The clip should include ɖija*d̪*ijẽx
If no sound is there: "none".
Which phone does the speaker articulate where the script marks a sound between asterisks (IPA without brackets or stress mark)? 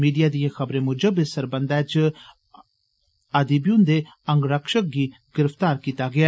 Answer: d̪